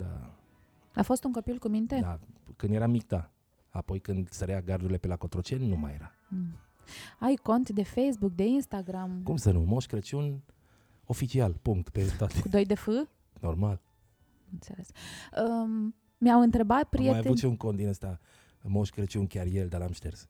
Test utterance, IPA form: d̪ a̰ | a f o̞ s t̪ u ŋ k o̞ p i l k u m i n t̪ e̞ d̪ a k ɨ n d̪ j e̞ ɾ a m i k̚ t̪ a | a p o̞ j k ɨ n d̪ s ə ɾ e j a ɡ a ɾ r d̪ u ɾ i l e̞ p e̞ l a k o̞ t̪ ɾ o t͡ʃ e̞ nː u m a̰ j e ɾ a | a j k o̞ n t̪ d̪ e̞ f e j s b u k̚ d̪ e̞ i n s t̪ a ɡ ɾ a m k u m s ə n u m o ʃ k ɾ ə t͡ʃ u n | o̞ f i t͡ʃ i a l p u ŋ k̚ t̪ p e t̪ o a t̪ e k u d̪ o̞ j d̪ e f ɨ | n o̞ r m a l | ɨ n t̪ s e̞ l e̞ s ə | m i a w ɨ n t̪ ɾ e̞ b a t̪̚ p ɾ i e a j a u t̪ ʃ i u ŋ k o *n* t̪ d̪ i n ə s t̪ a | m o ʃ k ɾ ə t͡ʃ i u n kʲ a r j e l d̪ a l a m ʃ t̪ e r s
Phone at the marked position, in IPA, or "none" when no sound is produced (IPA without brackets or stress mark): n